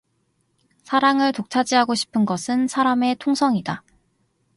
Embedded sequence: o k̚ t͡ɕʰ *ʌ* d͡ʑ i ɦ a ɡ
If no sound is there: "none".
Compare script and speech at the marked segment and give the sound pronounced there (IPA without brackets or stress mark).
a